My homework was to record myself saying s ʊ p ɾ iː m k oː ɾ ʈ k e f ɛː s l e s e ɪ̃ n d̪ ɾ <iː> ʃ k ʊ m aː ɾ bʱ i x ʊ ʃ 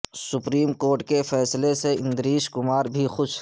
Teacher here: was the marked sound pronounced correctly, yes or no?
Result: yes